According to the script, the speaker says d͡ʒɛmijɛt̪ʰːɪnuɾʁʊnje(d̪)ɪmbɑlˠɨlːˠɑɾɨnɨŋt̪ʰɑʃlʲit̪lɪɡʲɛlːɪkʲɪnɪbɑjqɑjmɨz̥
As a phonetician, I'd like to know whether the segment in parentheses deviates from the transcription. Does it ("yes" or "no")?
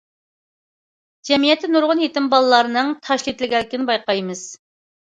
yes